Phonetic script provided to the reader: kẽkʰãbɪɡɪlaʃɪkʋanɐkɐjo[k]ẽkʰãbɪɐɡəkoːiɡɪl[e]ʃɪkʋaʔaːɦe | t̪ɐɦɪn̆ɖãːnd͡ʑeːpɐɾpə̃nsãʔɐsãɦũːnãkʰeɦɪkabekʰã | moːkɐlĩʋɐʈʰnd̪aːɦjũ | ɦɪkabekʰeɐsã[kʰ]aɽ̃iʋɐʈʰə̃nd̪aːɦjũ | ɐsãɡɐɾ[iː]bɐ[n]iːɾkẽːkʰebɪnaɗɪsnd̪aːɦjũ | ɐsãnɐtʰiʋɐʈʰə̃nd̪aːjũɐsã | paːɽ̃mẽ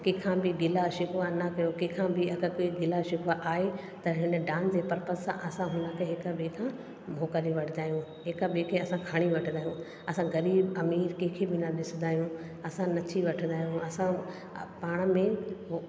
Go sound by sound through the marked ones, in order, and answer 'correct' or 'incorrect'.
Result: correct, incorrect: a, correct, correct, incorrect: m

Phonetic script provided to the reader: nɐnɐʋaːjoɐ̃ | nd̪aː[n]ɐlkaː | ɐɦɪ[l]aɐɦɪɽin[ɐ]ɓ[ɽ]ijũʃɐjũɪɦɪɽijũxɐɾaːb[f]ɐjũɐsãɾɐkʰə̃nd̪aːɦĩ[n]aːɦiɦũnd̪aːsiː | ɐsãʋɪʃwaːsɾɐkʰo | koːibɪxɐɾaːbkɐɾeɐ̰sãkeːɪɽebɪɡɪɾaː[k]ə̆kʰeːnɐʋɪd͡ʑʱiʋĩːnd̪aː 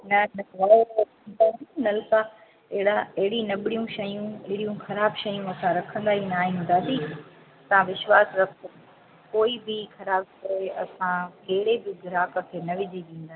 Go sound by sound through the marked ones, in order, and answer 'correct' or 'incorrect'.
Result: correct, incorrect: ɽ, correct, correct, incorrect: ʃ, correct, correct

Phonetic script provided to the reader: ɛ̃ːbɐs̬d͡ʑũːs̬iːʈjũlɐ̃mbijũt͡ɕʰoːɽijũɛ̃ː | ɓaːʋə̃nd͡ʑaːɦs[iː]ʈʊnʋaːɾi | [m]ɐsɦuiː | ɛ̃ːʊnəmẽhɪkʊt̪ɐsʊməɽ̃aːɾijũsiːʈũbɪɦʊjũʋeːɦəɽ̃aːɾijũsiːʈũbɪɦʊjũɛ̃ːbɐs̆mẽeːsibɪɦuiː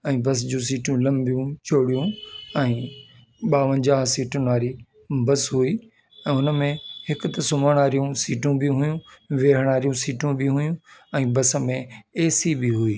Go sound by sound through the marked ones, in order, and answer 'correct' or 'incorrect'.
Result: correct, incorrect: b

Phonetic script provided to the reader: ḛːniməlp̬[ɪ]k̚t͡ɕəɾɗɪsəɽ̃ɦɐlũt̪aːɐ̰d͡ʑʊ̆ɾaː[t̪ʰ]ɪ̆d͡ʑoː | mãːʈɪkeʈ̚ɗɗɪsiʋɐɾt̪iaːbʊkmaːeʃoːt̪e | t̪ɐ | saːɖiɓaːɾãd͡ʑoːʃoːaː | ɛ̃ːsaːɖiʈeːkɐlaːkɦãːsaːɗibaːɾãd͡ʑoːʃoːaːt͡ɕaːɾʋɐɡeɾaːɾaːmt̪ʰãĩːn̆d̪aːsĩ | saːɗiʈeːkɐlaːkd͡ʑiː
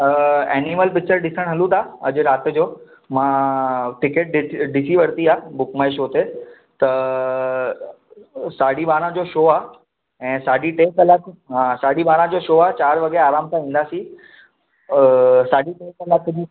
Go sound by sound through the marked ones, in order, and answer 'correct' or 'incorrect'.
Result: correct, incorrect: t̪

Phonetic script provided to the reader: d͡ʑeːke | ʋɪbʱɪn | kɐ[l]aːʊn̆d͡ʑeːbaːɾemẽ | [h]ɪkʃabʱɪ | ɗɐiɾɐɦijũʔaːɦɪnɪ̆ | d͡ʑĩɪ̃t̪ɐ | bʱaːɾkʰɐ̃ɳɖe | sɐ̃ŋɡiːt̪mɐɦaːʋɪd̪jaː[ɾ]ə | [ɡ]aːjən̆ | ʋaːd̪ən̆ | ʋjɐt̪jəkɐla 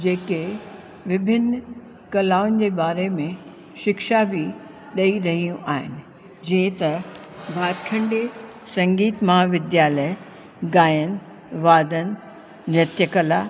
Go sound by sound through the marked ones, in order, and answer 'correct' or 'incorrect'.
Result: correct, incorrect: ʃ, incorrect: l, correct

